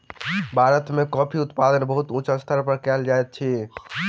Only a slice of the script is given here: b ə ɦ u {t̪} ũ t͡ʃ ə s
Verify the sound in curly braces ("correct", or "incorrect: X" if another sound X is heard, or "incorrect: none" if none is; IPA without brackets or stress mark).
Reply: correct